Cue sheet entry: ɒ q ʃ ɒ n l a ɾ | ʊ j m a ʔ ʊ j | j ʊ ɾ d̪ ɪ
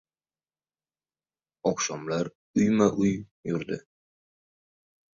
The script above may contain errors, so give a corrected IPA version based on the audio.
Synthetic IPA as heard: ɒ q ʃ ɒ m l a ɾ | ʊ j m a ʔ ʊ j | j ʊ ɾ d̪ ɪ